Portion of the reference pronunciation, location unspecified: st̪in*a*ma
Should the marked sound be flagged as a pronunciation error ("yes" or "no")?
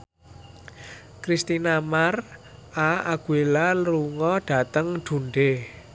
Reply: no